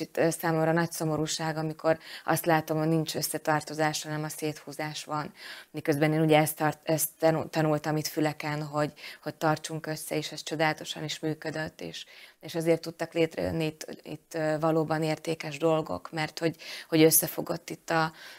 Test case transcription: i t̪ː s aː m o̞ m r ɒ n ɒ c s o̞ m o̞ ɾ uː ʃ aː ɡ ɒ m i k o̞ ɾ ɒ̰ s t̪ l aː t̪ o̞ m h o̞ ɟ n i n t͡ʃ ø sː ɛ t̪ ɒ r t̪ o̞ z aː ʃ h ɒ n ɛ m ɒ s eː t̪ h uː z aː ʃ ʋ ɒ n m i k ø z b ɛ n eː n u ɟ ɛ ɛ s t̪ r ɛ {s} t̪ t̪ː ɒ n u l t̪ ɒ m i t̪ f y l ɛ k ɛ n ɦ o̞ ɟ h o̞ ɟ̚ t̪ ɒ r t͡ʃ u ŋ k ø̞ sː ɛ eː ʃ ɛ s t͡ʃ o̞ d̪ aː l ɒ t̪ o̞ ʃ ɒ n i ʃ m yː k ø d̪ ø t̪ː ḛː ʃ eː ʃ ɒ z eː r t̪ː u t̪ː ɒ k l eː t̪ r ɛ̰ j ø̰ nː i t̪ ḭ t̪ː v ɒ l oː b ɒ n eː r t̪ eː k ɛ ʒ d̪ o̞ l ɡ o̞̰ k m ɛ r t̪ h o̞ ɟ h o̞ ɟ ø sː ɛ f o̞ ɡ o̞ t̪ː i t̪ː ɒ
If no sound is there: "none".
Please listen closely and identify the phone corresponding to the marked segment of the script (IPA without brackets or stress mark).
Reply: s